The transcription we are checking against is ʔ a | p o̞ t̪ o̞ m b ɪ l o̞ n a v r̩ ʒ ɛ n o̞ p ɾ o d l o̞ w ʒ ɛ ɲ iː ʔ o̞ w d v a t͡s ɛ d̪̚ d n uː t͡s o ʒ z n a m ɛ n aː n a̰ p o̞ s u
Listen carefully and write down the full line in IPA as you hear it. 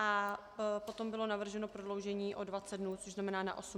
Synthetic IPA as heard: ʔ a | p o̞ t̪ o̞ m b ɪ l o̞ n a v r̩ ʒ ɛ n o̞ p ɾ o d l o̞ w ʒ ɛ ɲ iː ʔ o̞ d v a t͡s ɛ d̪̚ d n uː t͡s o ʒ z n a m ɛ n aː n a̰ ʔ o̞ s u